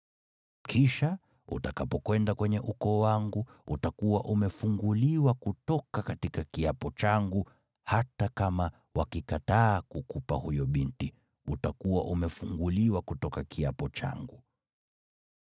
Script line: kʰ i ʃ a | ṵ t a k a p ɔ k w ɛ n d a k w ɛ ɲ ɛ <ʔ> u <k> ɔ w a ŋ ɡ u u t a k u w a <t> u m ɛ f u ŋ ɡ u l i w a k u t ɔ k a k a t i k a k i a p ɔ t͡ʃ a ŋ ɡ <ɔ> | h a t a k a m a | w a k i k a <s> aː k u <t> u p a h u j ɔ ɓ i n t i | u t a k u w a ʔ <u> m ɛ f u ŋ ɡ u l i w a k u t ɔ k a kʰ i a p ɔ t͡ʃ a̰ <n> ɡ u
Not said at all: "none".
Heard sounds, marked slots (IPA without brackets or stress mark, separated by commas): ʔ, k, ʔ, u, t, k, u, ŋ